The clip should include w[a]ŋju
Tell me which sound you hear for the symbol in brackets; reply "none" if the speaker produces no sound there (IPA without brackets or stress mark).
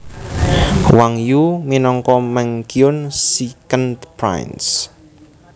a